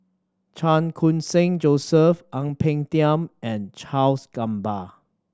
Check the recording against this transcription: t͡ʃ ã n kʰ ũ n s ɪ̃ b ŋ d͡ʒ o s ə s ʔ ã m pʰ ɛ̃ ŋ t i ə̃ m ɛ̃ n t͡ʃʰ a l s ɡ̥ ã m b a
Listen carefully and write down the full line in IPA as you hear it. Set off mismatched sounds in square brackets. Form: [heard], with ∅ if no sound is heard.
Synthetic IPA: t͡ʃ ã n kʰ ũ n s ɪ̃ [∅] ŋ d͡ʒ o s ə [f] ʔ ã [ŋ] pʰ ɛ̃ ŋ t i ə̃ m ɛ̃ n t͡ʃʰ a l s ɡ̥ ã m b a